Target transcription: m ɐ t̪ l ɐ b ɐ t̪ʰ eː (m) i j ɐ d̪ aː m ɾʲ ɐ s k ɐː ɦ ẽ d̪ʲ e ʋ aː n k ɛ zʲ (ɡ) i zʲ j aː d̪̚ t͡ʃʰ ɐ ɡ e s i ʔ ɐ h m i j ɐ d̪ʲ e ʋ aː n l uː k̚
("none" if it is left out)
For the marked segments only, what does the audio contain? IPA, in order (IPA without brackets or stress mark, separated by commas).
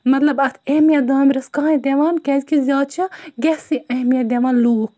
m, k